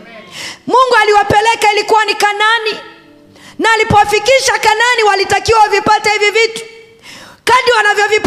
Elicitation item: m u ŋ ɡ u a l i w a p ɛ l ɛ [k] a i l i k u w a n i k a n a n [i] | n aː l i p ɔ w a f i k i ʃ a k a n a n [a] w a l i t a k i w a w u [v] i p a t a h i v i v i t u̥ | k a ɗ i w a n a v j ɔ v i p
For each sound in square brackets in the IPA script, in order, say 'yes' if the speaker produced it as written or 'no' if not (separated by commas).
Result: yes, yes, no, yes